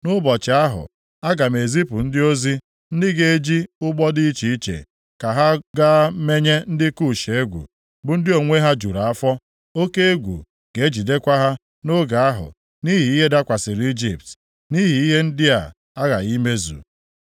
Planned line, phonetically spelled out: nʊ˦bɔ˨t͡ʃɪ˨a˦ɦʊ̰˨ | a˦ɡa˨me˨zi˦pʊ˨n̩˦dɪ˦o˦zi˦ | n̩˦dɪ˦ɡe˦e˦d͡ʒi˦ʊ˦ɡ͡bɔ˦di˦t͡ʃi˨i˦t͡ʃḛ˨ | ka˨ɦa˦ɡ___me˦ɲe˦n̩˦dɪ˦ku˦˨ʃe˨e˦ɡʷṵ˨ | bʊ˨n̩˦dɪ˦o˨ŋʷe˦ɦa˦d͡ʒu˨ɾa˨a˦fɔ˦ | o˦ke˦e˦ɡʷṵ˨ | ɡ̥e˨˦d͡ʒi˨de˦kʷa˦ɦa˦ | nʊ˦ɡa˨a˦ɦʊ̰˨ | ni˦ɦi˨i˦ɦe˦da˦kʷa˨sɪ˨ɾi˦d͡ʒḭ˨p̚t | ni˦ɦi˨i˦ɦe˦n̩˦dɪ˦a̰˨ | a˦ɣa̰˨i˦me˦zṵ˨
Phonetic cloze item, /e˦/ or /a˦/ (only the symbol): a˦